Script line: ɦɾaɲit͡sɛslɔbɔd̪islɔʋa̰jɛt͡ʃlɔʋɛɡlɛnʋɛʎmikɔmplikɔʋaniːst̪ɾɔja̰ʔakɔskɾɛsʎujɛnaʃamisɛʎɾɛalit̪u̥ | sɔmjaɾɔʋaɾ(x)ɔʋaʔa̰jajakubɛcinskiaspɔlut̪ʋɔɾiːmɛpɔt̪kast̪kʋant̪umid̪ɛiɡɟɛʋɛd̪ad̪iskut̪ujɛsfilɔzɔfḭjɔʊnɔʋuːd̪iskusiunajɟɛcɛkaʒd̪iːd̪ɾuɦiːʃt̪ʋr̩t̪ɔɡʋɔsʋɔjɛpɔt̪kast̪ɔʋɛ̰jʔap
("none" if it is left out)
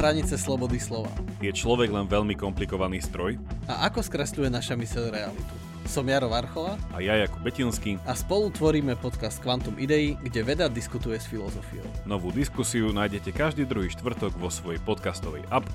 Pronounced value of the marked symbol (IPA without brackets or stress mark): x